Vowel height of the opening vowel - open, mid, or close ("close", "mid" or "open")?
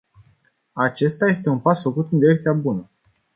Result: open